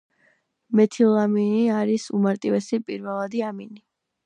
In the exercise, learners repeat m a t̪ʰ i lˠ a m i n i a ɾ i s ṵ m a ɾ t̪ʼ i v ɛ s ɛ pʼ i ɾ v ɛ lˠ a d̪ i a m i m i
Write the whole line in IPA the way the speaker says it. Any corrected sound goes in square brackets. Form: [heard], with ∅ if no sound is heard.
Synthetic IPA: m [ɛ] t̪ʰ i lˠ a m i n i a ɾ i s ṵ m a ɾ t̪ʼ i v ɛ s [i] pʼ i ɾ v ɛ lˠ a d̪ i a m i [n] i